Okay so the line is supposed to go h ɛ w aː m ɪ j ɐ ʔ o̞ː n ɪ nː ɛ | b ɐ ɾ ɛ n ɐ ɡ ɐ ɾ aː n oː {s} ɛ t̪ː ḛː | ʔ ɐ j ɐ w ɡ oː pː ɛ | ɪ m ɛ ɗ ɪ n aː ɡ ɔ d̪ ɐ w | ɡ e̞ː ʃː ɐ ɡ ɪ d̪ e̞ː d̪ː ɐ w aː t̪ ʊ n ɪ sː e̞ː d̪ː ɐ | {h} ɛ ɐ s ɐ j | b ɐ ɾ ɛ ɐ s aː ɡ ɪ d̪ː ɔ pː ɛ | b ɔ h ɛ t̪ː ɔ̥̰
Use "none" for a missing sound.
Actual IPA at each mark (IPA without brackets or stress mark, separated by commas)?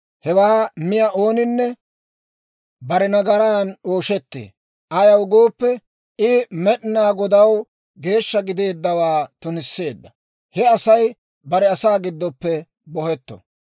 ʃ, h